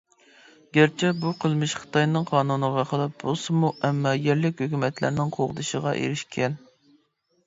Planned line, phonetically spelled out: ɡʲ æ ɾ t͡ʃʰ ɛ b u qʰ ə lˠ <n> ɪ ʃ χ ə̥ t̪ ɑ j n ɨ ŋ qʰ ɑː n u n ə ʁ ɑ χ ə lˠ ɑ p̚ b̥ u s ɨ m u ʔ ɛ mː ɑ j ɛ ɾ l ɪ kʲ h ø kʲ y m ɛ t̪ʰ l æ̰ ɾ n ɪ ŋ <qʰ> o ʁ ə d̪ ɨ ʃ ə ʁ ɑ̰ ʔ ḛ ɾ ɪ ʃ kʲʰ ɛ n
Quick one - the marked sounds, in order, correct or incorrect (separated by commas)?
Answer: incorrect, correct